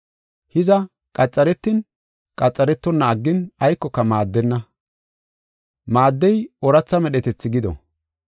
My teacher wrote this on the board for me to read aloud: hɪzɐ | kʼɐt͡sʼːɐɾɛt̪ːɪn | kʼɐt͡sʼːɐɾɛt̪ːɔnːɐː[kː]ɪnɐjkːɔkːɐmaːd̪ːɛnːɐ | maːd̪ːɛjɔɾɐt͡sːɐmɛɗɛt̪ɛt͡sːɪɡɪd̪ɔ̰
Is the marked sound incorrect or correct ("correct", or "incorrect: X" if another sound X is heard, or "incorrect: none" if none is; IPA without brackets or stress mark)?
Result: incorrect: ɡː